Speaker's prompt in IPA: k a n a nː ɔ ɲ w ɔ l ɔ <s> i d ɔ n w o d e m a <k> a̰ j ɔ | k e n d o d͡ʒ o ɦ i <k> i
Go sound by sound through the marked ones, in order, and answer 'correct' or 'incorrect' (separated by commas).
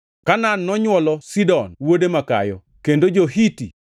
correct, correct, incorrect